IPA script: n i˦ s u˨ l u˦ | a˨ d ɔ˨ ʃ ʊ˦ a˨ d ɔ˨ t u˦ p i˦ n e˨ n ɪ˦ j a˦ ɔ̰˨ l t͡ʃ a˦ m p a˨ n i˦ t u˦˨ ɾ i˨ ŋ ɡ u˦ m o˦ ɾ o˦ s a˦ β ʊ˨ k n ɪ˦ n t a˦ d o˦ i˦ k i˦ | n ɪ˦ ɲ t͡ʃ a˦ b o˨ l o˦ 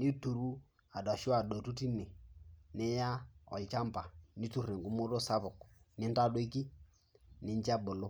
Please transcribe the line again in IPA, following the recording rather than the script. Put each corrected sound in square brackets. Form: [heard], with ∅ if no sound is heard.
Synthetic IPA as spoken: n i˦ [t] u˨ [ɾ] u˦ | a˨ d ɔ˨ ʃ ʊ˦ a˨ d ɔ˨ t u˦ [t] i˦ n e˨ n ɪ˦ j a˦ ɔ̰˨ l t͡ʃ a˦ m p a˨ n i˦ t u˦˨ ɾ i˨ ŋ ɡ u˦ m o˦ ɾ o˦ s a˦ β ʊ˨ k n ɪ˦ n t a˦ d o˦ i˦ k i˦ | n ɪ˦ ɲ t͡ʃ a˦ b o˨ l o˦